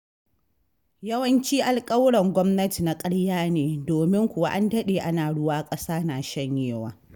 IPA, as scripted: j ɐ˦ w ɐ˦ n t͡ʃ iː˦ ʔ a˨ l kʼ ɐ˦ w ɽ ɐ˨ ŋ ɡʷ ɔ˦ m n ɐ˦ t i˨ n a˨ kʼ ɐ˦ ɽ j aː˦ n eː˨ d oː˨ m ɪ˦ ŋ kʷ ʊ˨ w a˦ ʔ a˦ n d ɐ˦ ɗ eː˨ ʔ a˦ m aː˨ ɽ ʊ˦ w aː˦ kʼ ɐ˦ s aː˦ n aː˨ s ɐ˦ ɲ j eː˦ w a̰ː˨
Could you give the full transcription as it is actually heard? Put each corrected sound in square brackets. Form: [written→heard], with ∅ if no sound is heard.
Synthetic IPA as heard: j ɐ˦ w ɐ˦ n t͡ʃ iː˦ ʔ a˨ l kʼ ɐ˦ w ɽ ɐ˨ ŋ ɡʷ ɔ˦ m n ɐ˦ t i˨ n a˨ kʼ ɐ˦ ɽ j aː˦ n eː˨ d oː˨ m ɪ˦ ŋ kʷ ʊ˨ w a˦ ʔ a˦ n d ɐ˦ ɗ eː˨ ʔ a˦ [m→n] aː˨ ɽ ʊ˦ w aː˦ kʼ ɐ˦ s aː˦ n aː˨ [s→ʃ] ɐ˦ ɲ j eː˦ w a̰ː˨